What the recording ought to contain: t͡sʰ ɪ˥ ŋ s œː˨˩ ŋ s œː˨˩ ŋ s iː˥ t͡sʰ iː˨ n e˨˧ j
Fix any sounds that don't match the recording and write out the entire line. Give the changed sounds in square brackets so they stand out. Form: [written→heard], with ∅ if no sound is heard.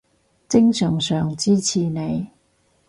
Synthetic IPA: [t͡sʰ→t͡s] ɪ˥ ŋ s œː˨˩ ŋ s œː˨˩ ŋ [s→t͡s] iː˥ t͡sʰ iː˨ n e˨˧ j